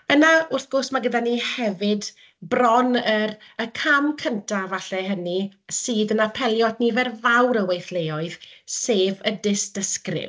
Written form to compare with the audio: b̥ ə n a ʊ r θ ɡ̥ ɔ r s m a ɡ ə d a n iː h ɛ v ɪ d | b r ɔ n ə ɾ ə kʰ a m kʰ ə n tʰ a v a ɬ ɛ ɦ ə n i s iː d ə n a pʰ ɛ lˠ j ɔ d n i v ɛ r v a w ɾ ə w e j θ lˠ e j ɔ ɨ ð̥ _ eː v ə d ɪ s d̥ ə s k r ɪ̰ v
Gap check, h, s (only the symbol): s